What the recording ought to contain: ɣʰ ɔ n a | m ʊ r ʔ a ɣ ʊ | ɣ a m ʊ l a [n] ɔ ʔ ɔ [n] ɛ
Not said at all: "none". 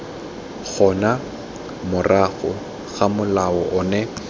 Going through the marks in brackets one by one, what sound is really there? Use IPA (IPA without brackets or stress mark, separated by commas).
none, n